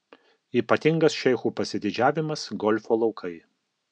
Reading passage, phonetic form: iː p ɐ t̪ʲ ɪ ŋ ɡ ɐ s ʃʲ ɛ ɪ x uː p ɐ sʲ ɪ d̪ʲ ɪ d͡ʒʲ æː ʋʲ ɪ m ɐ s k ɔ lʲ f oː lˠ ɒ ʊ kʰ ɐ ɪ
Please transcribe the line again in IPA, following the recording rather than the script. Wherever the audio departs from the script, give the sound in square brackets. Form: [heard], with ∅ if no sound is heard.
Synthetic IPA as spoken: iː p ɐ t̪ʲ ɪ ŋ ɡ ɐ s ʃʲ ɛ ɪ x uː p ɐ sʲ ɪ d̪ʲ ɪ d͡ʒʲ æː ʋʲ ɪ m ɐ s [ɡ] ɔ lʲ f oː lˠ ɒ ʊ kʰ ɐ ɪ